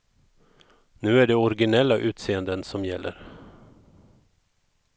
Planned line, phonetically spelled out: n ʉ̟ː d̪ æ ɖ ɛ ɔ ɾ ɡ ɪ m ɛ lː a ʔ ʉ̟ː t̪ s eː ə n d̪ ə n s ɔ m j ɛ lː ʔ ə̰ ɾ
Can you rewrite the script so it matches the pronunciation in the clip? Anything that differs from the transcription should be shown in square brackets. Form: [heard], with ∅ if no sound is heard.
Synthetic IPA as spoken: n ʉ̟ː [∅] æ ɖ ɛ ɔ ɾ ɡ ɪ [n] ɛ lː a ʔ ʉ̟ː t̪ s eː ə n d̪ ə n s ɔ m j ɛ lː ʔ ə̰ ɾ